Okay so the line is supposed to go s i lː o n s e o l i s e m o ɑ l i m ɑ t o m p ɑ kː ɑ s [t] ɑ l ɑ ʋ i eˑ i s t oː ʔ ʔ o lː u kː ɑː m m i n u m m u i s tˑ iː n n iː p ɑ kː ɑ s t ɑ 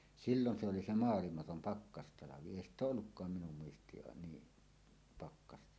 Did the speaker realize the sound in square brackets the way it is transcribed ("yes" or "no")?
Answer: yes